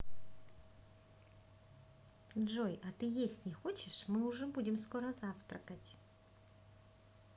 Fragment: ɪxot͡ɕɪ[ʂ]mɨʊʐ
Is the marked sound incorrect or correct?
correct